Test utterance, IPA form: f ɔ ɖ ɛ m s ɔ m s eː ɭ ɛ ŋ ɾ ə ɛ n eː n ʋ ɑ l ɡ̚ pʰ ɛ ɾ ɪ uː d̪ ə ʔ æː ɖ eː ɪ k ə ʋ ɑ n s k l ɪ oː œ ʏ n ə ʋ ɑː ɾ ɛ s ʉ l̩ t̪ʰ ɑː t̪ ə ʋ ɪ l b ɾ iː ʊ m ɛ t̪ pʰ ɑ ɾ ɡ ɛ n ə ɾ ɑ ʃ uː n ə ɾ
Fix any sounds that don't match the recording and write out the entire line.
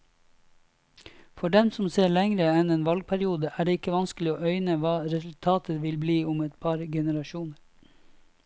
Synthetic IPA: f ɔ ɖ ɛ m s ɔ m s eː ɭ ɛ ŋ ɾ ə ɛ n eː n ʋ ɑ l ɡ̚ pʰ æ ɾ ɪ uː d̪ ə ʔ æː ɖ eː ɪ k ə ʋ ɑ n s k l ɪ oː œ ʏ n ə ʋ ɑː ɾ ɛ s ʉ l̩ t̪ʰ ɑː t̪ ə ʋ ɪ l b l iː ʊ m ɛ t̪ pʰ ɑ ɾ ɡ ɛ n ə ɾ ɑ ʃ uː n ə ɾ